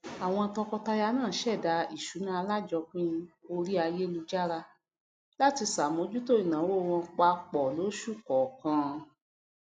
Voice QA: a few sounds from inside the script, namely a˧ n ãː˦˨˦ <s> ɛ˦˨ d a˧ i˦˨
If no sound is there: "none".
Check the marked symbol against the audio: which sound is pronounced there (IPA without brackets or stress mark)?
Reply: ʃ